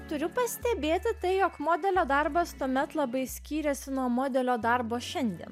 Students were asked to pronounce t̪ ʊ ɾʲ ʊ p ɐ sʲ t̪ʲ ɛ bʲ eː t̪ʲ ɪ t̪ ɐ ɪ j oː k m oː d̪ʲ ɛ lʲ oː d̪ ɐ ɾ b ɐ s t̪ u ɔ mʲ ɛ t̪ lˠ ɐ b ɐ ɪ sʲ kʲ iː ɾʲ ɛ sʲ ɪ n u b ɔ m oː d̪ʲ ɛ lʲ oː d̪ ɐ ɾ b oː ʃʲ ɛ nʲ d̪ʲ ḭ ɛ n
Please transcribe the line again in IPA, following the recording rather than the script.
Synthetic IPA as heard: t̪ ʊ ɾʲ ʊ p ɐ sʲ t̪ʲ ɛ bʲ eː t̪ʲ ɪ t̪ ɐ ɪ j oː k m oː d̪ʲ ɛ lʲ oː d̪ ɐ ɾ b ɐ s t̪ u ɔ mʲ ɛ t̪ lˠ ɐ b ɐ ɪ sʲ kʲ iː ɾʲ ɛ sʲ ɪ n u ɔ m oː d̪ʲ ɛ lʲ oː d̪ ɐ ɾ b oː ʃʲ ɛ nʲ d̪ʲ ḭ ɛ n